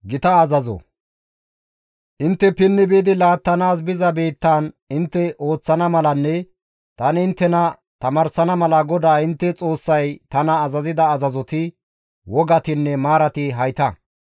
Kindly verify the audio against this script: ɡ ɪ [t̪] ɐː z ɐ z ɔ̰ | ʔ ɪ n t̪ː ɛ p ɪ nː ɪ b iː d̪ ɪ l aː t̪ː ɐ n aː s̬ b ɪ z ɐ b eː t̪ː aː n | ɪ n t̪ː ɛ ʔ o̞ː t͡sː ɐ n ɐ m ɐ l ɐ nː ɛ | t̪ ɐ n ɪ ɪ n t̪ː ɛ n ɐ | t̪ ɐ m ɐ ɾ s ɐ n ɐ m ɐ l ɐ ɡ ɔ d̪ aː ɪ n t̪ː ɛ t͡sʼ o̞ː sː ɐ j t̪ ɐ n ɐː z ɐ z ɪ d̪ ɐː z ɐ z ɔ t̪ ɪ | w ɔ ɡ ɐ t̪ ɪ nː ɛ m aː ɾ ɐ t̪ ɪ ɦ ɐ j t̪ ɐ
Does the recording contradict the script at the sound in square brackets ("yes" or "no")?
no